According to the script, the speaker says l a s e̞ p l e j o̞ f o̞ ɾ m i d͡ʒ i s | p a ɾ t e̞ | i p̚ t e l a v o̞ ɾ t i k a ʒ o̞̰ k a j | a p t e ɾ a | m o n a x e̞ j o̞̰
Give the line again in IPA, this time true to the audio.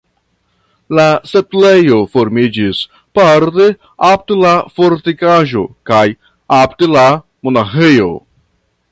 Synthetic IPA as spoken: l a s e̞ p l e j o̞ f o̞ ɾ m i d͡ʒ i s | p a ɾ t e̞ | a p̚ t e l a f o̞ ɾ t i k a ʒ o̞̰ k a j | a p t e l a | m o n a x e̞ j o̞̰